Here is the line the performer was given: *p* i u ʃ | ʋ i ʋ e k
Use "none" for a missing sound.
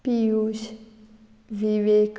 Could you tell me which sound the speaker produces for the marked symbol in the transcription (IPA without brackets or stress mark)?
p